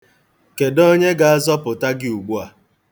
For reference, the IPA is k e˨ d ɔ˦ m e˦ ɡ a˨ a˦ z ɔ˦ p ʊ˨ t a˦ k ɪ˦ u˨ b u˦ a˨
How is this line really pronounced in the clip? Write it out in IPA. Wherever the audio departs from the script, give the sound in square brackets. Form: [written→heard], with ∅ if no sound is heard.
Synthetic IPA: k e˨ d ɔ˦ [m→ɲ] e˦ ɡ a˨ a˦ z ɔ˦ p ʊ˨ t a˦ [k→ɡ] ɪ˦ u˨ [b→ɡ͡b] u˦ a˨

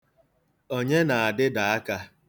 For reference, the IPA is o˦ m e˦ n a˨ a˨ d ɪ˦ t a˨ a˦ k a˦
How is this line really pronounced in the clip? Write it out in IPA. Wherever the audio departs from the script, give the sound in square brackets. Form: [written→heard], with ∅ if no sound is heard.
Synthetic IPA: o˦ [m→ɲ] e˦ n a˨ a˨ d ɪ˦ [t→d] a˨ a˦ k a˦

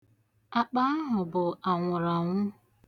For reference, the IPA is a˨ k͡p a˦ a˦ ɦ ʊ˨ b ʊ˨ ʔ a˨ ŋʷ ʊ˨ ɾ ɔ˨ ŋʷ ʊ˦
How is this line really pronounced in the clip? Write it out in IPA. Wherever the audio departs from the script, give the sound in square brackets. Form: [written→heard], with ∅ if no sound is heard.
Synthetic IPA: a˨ k͡p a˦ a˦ ɦ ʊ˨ b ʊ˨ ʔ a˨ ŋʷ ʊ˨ ɾ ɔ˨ ŋʷ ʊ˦

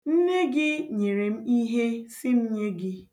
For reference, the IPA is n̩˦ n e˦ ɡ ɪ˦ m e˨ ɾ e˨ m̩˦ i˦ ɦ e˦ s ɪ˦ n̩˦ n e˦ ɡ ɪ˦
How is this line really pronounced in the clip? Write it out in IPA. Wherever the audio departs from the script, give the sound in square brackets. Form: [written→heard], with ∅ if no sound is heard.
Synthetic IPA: n̩˦ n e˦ ɡ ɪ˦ [m→ɲ] e˨ ɾ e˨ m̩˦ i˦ ɦ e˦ s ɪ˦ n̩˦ [n→ɲ] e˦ ɡ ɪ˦

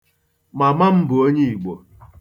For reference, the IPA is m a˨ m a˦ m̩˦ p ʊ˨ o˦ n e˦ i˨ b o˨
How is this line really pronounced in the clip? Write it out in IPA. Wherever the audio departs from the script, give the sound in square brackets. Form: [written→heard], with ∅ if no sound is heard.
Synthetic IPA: m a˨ m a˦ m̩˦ [p→b] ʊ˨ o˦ [n→ɲ] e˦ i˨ [b→ɡ͡b] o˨

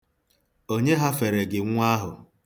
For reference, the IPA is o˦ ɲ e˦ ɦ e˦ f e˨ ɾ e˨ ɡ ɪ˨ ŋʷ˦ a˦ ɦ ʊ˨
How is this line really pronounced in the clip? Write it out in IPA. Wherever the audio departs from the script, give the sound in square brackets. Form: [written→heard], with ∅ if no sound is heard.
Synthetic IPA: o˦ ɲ e˦ ɦ [e˦→a˦] f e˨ ɾ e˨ ɡ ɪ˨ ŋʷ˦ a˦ ɦ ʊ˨

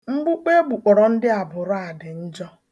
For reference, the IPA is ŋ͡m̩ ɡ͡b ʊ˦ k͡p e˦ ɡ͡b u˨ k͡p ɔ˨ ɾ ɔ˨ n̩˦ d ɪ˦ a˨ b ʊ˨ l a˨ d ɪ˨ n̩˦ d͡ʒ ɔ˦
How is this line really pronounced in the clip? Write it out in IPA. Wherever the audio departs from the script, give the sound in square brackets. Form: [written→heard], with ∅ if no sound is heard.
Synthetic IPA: ŋ͡m̩ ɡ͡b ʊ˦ k͡p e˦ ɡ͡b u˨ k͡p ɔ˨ ɾ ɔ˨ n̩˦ d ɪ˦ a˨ b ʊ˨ [l→ɾ] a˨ d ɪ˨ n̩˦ d͡ʒ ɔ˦

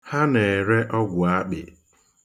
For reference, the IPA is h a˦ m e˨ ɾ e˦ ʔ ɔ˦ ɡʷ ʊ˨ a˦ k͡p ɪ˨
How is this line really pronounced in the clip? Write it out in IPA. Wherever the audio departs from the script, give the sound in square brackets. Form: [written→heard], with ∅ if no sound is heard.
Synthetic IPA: h a˦ [m→n] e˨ ɾ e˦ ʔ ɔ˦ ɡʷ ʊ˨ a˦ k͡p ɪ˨

